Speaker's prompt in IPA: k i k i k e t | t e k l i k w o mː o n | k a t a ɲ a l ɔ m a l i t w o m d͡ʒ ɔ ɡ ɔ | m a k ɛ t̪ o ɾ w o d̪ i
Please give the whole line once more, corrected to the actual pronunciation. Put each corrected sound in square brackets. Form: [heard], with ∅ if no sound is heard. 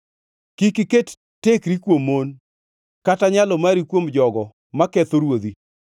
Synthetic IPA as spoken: k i k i k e t | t e k [ɾ] i k w o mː o n | k a t a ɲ a l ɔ m a [ɾ] i [k] w o m d͡ʒ ɔ ɡ ɔ | m a k ɛ t̪ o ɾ w o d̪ i